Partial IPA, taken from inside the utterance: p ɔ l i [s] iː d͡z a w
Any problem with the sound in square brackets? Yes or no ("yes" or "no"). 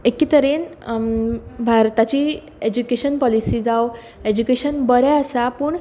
no